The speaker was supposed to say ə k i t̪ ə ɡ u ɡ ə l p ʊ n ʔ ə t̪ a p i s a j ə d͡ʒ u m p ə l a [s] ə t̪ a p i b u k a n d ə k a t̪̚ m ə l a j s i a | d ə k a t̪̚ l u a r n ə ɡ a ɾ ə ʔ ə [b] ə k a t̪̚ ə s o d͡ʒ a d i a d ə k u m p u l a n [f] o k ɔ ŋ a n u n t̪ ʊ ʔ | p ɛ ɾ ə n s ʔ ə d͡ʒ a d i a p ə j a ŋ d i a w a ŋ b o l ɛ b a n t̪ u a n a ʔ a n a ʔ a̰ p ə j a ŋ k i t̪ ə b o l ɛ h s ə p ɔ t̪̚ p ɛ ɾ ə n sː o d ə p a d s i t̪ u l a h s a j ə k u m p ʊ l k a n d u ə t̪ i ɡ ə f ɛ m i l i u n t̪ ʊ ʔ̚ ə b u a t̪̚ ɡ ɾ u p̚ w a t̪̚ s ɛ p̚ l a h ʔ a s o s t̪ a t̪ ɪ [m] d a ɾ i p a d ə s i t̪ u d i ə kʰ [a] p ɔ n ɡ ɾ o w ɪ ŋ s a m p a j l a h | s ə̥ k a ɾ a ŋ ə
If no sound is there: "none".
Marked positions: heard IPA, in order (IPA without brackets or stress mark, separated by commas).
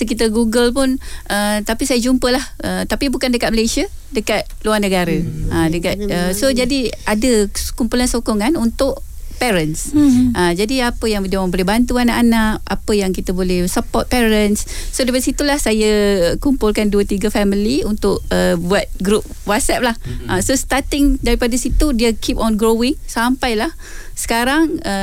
h, d, s, ŋ, i